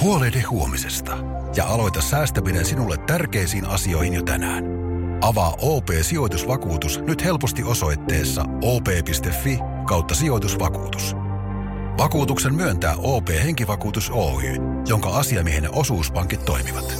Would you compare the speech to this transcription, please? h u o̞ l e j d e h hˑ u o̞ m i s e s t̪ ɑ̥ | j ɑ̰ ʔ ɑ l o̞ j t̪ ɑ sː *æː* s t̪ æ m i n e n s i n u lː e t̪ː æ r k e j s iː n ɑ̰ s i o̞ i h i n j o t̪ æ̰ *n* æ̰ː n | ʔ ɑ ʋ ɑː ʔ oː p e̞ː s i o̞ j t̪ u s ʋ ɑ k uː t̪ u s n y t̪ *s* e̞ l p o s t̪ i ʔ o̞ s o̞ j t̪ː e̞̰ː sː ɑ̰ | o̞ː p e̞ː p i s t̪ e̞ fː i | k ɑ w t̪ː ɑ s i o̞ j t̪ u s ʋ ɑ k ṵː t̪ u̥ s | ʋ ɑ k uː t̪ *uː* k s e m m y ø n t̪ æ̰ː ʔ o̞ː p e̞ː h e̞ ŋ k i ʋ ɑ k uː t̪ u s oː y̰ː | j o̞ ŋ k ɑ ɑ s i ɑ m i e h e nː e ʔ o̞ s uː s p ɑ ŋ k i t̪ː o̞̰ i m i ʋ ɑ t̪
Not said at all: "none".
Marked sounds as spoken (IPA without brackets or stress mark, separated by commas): æː, n, h, u